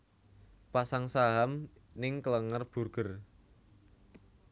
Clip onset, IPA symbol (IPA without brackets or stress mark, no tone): p